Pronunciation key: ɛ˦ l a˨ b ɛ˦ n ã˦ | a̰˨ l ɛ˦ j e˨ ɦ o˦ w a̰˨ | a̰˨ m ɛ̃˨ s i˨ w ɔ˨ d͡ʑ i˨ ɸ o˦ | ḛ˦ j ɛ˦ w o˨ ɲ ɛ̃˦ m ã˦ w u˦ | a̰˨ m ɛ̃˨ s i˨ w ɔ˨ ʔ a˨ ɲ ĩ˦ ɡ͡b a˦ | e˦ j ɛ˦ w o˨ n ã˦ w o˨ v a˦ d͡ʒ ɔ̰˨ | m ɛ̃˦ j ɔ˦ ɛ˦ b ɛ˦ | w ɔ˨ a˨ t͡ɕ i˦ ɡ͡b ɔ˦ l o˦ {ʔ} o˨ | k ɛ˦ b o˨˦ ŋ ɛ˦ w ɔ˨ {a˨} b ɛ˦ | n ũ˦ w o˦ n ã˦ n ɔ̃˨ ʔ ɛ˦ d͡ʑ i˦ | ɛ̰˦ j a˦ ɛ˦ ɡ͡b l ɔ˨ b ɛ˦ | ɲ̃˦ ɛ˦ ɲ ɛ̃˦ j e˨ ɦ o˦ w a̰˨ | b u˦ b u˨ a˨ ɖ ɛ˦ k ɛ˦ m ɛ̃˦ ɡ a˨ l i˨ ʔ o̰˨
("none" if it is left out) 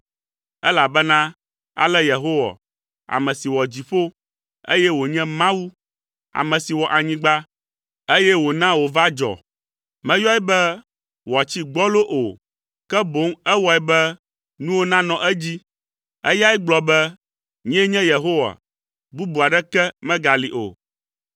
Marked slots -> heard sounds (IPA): ʔ, ɛ˨

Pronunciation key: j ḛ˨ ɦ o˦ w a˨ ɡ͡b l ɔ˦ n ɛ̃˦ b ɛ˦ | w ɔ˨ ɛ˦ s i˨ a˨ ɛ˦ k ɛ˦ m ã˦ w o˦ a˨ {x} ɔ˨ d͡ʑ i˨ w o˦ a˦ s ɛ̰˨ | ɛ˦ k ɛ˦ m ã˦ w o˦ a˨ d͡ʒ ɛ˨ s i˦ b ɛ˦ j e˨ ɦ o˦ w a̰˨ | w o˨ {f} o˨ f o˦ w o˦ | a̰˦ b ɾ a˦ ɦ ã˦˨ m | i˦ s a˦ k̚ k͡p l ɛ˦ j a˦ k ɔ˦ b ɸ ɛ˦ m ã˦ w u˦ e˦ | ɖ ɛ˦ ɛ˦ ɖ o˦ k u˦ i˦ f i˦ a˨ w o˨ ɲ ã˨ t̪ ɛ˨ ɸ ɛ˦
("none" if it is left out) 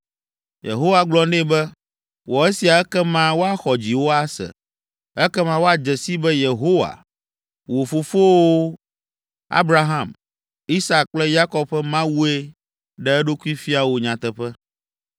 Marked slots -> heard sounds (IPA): x, f

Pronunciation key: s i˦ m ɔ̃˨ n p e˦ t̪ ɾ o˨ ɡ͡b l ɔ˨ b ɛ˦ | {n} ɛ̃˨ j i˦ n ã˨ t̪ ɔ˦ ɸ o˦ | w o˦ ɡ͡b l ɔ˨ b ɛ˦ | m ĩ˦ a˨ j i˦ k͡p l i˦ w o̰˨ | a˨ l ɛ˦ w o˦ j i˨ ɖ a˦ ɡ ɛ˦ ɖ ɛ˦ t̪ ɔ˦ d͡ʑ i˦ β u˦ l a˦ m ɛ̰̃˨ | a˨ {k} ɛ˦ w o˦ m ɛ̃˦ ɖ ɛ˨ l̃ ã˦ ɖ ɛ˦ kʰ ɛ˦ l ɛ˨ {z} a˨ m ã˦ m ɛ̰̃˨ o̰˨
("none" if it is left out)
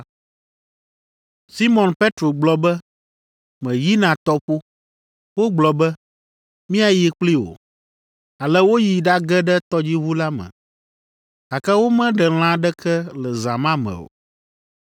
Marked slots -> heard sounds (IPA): m, k, z

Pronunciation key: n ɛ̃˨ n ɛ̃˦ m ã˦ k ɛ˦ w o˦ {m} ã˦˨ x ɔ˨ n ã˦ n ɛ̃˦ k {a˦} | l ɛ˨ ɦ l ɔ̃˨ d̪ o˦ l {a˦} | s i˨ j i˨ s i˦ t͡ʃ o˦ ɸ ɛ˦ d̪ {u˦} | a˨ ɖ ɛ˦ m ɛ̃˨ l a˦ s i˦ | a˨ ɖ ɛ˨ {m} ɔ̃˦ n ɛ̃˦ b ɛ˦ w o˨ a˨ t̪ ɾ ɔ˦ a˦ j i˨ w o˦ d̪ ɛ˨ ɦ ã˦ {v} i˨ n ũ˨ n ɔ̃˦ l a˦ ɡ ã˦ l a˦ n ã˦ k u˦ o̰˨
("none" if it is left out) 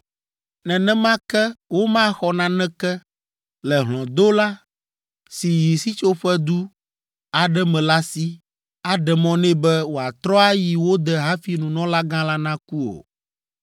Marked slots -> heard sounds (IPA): m, ɛ˦, a˦, u˦, m, f

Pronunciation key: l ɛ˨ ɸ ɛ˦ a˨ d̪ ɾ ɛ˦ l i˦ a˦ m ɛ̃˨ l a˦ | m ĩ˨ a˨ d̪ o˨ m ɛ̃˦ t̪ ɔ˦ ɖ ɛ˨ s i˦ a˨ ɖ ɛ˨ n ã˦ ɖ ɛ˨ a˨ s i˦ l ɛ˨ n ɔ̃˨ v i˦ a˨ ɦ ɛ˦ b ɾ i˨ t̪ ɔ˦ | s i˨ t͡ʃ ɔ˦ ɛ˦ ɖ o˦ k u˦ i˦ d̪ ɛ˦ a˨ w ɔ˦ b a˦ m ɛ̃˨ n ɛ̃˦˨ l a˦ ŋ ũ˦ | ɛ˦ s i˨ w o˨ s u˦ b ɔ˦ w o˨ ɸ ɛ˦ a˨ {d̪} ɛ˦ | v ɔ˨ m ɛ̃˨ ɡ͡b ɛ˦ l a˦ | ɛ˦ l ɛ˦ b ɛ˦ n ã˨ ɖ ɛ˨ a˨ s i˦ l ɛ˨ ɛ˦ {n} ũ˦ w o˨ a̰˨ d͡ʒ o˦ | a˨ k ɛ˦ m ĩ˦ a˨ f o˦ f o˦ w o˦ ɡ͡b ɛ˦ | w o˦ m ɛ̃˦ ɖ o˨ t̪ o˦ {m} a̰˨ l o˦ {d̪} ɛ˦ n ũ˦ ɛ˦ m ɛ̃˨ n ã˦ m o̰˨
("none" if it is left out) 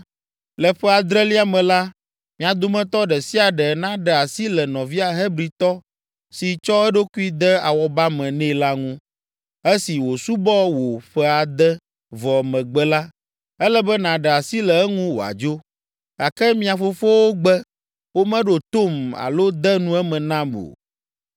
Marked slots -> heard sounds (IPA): d̪, ŋ, m, d̪

